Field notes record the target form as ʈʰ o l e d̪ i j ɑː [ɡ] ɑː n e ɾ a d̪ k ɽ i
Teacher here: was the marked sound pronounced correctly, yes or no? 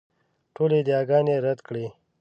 yes